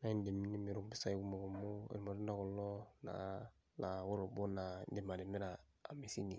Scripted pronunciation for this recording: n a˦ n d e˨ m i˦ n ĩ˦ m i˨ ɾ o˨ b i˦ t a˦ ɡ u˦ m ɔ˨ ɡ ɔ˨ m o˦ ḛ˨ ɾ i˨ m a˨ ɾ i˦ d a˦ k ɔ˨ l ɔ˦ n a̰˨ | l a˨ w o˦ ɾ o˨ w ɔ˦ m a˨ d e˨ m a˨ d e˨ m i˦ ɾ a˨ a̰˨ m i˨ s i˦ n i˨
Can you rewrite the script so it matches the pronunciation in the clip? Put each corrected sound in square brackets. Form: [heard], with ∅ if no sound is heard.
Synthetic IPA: n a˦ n d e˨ m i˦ n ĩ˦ m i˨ ɾ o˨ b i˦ [s] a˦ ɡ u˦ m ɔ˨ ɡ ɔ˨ m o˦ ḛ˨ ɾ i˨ m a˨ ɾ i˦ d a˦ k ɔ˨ l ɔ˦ n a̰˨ | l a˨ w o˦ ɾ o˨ [b] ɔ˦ [n] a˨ d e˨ m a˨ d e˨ m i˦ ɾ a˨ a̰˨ m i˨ s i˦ n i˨